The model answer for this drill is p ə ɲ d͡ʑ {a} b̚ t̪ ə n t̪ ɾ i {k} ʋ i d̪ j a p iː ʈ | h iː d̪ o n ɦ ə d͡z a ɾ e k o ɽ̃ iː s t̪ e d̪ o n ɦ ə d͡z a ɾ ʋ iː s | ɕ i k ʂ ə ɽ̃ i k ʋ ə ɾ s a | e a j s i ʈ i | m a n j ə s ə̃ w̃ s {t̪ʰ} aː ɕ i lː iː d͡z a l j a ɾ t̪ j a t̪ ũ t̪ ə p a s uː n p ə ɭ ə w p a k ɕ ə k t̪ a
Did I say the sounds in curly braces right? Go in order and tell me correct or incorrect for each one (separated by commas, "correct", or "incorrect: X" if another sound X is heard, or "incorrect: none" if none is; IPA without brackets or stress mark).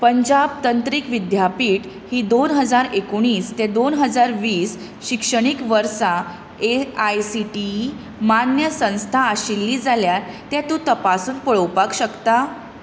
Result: correct, correct, correct